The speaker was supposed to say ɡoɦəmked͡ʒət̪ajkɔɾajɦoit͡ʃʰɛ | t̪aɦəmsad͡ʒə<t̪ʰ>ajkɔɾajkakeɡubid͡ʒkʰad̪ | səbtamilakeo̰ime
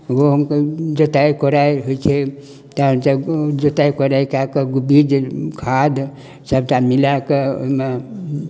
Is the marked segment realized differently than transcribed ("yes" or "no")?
yes